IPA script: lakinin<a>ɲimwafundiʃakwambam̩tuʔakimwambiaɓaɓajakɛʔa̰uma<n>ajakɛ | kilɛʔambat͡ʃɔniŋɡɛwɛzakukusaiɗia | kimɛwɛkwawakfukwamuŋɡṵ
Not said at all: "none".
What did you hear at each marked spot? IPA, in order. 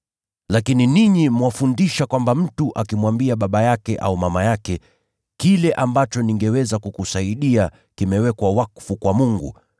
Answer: i, m

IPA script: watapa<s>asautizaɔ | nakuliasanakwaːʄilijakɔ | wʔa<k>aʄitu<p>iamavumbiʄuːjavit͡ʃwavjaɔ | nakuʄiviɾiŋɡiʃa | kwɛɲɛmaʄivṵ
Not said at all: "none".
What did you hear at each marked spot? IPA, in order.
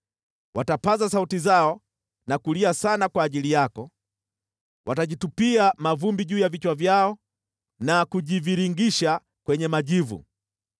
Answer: z, t, p

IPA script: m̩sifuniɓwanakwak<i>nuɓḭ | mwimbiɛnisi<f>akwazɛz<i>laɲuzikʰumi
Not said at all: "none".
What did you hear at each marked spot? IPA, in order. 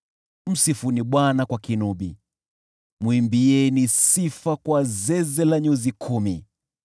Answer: i, f, ɛ

